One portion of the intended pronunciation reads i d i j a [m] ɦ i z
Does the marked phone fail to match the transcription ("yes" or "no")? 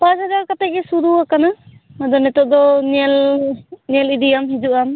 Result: no